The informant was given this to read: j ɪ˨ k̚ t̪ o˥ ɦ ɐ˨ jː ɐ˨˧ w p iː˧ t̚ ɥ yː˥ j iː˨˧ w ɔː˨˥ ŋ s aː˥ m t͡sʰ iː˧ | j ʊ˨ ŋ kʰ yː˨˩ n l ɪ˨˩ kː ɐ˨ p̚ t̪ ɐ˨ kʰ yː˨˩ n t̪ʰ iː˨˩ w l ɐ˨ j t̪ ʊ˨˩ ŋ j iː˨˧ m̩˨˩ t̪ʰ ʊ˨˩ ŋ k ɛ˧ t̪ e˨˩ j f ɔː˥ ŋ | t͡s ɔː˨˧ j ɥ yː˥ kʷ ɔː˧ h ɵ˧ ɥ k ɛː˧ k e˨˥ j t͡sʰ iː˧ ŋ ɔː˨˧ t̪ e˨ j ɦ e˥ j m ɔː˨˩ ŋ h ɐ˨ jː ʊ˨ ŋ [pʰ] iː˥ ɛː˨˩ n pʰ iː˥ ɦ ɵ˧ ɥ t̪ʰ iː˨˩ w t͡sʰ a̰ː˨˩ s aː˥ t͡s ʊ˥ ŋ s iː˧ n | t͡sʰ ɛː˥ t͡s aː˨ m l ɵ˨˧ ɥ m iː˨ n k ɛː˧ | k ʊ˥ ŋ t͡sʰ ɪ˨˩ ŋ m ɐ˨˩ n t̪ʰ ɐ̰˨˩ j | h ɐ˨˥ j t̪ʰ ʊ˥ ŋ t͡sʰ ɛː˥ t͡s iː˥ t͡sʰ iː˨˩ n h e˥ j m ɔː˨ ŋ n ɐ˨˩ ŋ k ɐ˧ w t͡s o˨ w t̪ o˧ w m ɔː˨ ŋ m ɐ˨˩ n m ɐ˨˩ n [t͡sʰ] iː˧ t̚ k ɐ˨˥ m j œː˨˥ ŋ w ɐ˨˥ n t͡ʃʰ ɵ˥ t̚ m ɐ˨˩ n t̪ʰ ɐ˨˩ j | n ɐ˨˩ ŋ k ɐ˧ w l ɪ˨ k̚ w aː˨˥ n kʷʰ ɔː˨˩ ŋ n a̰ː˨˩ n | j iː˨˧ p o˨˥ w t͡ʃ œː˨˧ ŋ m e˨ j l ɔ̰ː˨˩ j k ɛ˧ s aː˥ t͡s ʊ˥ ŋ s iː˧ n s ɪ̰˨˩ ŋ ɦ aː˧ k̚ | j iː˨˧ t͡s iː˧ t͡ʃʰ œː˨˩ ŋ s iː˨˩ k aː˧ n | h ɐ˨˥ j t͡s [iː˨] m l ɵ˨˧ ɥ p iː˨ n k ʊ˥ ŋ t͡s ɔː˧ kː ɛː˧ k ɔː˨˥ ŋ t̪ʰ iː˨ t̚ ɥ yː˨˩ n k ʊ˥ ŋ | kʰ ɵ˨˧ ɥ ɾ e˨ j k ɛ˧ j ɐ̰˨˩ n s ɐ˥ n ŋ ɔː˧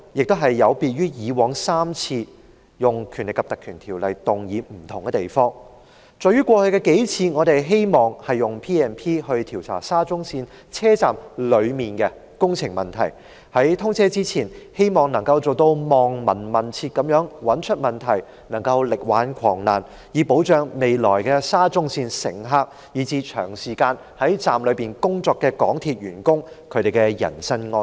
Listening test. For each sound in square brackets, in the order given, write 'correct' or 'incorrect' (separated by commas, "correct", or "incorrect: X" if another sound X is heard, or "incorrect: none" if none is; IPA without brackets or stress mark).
correct, correct, incorrect: aː˨